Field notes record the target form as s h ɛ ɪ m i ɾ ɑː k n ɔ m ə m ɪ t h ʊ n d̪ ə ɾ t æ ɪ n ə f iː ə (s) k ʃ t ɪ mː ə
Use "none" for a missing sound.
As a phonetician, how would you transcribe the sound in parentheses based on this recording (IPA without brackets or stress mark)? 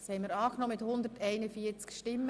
t͡s